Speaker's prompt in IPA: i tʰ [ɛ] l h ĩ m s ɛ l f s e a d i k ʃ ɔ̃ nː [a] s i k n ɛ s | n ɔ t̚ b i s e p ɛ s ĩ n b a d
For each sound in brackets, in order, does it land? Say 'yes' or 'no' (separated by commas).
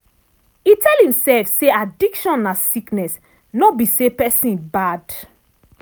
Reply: yes, yes